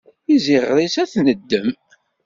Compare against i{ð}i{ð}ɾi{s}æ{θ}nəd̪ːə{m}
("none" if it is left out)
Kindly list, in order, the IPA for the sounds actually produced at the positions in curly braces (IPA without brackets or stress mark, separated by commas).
z, ʁ, s, θ, m